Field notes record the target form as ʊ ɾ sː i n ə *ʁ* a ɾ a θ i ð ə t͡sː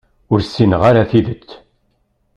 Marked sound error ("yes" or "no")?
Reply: no